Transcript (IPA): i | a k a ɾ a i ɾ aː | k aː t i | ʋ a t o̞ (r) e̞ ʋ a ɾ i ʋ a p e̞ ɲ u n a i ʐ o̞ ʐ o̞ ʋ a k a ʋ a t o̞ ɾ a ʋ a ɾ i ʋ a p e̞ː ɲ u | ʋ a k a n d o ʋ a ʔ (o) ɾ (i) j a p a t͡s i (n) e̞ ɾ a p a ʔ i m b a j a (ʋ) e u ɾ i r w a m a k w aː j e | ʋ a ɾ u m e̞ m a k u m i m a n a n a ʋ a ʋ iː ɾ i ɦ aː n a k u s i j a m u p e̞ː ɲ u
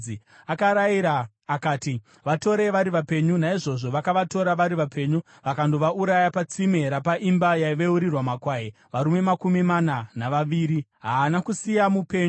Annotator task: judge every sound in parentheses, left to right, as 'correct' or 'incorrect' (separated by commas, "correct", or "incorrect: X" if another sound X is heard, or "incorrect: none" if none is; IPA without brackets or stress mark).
incorrect: ɾ, incorrect: u, incorrect: a, incorrect: m, correct